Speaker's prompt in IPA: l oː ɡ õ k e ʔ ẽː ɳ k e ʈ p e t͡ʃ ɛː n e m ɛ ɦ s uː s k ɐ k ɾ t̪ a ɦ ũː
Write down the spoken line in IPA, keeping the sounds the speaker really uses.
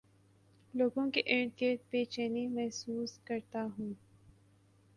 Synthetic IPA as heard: l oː ɡ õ k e ʔ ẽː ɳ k e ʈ p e t͡ʃ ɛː n e m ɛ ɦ s uː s k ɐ ɾ t̪ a ɦ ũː